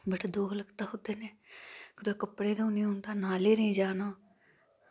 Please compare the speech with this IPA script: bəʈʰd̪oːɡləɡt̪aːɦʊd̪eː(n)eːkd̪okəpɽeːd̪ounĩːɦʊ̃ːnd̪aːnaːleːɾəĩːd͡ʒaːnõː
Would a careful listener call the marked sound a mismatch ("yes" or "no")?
no